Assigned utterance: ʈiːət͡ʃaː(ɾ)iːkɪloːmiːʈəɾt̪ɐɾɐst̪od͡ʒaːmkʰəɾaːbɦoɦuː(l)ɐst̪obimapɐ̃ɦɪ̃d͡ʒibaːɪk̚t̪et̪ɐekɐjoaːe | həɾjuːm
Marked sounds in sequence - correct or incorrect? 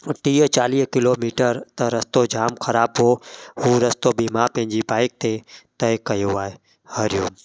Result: incorrect, incorrect

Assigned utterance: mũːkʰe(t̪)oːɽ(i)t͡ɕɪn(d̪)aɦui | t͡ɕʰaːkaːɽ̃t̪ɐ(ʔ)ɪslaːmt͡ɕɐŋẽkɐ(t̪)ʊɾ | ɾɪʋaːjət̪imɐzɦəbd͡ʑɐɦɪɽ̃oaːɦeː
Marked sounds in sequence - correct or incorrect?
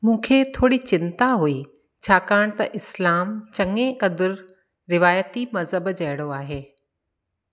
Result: incorrect, correct, incorrect, correct, incorrect

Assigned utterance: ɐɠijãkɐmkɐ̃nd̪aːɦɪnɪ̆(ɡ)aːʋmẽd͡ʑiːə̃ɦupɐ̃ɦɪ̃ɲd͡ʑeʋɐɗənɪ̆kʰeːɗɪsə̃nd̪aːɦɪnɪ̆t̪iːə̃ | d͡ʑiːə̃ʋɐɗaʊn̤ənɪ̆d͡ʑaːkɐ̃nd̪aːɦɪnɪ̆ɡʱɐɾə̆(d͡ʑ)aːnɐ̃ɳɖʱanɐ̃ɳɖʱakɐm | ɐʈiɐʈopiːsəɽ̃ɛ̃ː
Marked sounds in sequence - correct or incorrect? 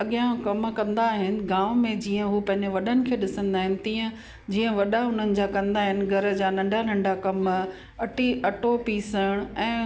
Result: correct, correct

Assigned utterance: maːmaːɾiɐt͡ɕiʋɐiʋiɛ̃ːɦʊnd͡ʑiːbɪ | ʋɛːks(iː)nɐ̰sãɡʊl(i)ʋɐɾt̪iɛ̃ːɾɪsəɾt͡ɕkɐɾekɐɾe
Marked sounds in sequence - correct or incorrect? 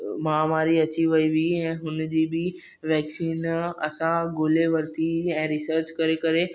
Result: correct, incorrect

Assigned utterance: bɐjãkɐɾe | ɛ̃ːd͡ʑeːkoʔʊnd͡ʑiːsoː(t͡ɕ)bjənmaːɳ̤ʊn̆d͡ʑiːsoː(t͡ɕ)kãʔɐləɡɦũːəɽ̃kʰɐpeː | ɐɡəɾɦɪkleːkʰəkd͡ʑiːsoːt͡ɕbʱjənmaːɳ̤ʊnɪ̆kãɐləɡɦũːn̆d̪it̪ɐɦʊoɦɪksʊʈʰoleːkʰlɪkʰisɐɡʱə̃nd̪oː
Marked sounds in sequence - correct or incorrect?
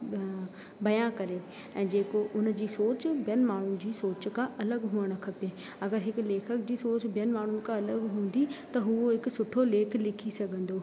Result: correct, correct

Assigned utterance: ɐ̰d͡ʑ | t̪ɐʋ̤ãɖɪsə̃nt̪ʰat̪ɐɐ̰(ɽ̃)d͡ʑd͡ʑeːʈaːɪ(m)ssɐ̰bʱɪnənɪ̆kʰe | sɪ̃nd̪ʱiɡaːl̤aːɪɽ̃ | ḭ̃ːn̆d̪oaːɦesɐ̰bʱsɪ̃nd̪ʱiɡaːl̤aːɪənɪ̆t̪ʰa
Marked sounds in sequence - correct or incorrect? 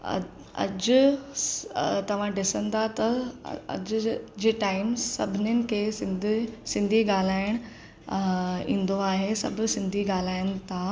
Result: incorrect, correct

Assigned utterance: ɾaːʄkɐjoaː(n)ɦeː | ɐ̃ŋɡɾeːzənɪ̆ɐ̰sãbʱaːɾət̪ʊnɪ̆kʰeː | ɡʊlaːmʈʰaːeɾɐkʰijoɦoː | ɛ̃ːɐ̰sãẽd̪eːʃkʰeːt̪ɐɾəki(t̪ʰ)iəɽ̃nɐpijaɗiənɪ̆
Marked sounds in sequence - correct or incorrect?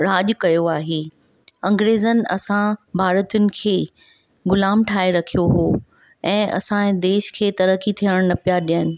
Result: incorrect, correct

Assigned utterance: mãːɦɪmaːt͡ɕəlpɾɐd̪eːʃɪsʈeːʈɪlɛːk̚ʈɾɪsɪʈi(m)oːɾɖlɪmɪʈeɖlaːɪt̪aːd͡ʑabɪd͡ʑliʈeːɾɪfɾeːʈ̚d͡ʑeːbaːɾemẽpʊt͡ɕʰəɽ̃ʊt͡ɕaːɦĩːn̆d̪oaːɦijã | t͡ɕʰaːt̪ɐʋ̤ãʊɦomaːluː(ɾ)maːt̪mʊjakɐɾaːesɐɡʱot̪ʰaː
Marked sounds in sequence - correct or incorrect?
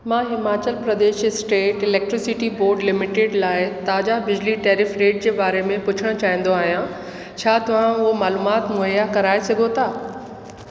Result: incorrect, incorrect

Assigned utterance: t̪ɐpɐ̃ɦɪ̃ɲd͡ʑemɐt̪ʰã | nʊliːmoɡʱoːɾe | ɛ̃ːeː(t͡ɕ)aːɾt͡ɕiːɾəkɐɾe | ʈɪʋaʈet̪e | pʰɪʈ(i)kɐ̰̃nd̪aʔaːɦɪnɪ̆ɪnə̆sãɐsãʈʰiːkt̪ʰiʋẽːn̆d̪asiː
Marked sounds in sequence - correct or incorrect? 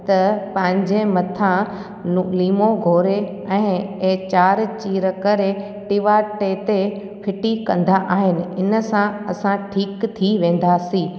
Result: correct, correct

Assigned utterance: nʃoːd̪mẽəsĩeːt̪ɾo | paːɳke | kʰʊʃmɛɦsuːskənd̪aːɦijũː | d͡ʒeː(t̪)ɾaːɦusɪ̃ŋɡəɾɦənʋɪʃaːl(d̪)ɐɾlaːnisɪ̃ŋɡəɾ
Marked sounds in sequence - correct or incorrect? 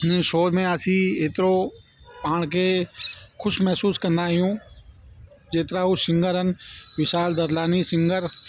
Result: correct, correct

